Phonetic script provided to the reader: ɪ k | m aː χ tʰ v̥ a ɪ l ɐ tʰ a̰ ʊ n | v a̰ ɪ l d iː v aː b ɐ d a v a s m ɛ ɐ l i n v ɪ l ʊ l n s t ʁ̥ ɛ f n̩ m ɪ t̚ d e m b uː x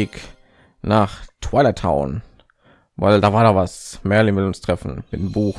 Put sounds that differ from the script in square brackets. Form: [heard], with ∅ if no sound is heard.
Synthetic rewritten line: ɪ k | [n] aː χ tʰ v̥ a ɪ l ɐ tʰ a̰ ʊ n | v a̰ ɪ l d [aː] v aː [∅] ɐ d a v a s m ɛ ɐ l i n v ɪ l ʊ [∅] n s t ʁ̥ ɛ f n̩ m ɪ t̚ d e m b uː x